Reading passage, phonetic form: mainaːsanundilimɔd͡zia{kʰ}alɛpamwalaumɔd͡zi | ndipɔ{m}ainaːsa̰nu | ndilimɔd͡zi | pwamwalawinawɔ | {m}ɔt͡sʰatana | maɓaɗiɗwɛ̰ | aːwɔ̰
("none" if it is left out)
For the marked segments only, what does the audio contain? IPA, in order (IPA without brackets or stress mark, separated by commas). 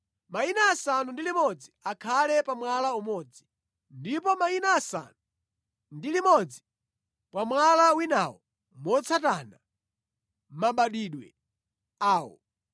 kʰ, m, m